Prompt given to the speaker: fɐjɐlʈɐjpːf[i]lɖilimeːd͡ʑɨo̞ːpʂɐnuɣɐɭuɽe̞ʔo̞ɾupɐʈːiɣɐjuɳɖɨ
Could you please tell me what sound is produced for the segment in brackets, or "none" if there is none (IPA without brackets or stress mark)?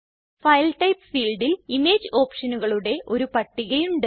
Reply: iː